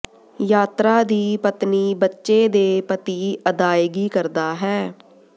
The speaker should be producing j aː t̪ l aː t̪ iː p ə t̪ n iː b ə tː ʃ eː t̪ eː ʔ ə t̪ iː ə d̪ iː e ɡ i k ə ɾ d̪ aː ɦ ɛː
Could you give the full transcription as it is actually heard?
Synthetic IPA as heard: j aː t̪ ɾ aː d̪ iː p ə t̪ n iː b ə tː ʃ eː d̪ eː p ə t̪ iː ə d̪ aː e ɡ iː k ə ɾ d̪ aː ɦ ɛː